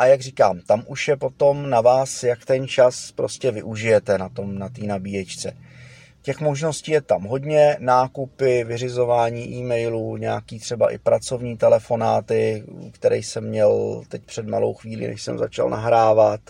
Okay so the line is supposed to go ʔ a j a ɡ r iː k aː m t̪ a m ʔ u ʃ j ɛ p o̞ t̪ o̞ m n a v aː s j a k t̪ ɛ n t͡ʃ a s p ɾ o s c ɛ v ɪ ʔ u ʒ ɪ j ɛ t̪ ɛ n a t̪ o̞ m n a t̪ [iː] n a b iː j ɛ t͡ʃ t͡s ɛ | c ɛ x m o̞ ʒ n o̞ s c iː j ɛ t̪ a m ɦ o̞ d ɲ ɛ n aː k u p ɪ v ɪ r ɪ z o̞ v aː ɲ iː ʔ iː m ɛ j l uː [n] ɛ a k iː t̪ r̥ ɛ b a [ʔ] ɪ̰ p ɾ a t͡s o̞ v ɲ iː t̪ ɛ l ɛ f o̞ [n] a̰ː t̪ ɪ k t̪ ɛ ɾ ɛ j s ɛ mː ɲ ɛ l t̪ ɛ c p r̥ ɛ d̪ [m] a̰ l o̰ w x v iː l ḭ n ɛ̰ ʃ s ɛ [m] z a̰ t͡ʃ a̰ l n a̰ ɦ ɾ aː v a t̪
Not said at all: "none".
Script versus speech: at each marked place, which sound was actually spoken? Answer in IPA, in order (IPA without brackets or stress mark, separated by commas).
iː, ɲ, ʔ, n, m, m